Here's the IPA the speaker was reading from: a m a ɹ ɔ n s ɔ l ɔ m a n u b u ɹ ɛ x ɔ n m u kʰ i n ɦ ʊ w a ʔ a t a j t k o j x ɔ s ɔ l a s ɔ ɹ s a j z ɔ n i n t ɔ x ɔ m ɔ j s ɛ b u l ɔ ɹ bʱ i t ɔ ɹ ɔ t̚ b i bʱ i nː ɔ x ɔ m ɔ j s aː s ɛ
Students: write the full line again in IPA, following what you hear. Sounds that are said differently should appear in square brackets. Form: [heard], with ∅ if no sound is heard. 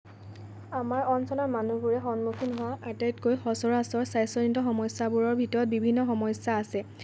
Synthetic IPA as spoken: a m a ɹ ɔ n s ɔ l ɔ m a n u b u ɹ ɛ x ɔ n m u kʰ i n ɦ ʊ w a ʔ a t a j t k o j x ɔ s ɔ [ɹ] a s ɔ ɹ s a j [s] ɔ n i n t ɔ x ɔ m ɔ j s [a] b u [ɹ] ɔ ɹ bʱ i t ɔ ɹ ɔ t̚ b i bʱ i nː ɔ x ɔ m ɔ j s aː s ɛ